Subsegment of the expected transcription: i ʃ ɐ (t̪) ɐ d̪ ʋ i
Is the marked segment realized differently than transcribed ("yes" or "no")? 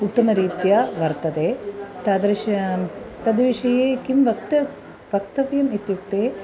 no